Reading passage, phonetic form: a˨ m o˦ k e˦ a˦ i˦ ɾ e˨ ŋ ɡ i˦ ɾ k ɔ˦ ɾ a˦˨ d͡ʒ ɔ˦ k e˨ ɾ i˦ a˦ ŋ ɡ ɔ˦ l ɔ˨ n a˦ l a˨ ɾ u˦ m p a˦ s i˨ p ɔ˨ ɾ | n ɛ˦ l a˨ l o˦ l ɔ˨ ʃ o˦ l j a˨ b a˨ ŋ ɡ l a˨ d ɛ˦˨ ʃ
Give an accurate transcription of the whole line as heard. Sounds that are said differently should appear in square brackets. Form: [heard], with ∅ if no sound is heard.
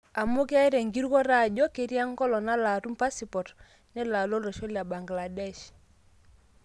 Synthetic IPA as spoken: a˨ m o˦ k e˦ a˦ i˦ ɾ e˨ ŋ ɡ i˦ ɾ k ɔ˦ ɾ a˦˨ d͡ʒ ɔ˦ k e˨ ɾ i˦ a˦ ŋ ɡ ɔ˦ l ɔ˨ n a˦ l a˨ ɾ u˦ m p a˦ s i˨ p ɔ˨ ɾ | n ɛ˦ l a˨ l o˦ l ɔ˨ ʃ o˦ l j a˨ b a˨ ŋ ɡ l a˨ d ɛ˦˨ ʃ